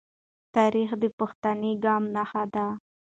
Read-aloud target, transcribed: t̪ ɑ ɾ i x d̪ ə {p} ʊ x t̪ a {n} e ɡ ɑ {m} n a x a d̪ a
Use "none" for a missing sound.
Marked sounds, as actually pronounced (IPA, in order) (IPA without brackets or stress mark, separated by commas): p, n, m